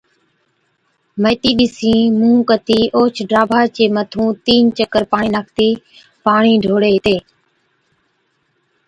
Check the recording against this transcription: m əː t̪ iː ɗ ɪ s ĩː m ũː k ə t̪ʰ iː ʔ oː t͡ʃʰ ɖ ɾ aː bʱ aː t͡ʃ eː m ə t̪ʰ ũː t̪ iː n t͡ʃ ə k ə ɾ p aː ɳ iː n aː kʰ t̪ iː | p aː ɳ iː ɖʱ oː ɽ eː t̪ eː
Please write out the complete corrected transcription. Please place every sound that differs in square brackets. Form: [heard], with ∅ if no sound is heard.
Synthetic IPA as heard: m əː t̪ iː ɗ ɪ s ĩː m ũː k ə [t̪] iː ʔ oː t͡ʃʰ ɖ ɾ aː bʱ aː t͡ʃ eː m ə t̪ʰ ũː t̪ iː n t͡ʃ ə k ə ɾ p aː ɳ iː n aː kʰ t̪ iː | p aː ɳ iː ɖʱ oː ɽ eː t̪ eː